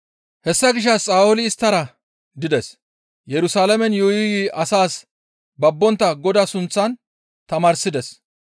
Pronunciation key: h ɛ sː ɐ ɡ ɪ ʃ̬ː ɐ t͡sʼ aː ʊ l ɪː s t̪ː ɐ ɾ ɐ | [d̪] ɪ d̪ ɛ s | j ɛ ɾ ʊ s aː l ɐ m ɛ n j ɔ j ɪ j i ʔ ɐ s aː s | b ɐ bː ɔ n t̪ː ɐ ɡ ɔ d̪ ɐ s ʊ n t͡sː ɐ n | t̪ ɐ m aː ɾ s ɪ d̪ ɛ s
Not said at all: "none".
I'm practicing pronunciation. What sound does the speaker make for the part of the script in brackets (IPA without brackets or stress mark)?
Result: d̪